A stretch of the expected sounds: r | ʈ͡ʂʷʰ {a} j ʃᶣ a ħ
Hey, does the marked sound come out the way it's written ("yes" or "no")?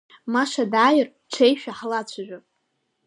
no